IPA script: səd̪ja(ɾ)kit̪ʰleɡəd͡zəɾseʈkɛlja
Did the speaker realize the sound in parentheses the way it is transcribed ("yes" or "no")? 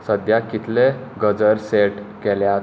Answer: no